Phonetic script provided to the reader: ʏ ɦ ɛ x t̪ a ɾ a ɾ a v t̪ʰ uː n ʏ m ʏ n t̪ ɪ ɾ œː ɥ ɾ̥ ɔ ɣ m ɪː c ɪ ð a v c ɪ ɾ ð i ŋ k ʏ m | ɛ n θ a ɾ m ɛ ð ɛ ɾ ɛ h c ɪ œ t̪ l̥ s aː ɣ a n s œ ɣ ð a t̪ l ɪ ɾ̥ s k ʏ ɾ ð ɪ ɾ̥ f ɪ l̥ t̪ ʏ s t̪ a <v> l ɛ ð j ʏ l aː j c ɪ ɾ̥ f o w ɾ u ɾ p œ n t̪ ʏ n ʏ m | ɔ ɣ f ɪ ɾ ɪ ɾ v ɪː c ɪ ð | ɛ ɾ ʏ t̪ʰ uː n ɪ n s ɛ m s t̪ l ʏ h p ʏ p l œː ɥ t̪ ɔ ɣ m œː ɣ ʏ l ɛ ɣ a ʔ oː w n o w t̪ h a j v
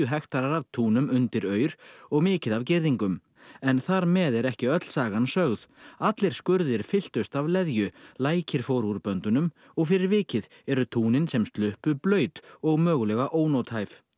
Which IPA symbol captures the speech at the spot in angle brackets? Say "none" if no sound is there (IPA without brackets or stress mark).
v